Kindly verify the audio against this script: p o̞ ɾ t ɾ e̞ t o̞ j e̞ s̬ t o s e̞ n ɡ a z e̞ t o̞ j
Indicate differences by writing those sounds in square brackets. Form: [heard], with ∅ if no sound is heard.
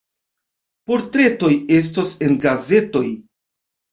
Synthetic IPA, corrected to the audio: p o̞ ɾ t ɾ e̞ t o̞ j e̞ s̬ t o s e̞ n ɡ a z e̞ t o̞ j